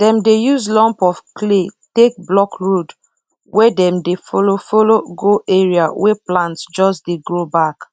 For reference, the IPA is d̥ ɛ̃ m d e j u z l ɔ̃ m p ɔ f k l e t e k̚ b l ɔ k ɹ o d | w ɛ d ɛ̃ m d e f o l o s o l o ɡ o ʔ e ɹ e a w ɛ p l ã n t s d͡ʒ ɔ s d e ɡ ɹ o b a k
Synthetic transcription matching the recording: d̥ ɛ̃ m d e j u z l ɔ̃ m p ɔ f k l e t e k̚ b l ɔ k ɹ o d | w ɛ d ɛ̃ m d e f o l o f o l o ɡ o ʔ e ɹ i a w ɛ p l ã n t s d͡ʒ ɔ s d e ɡ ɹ o b a k